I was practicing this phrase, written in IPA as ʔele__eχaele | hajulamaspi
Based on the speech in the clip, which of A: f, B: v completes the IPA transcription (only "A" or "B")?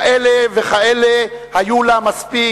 B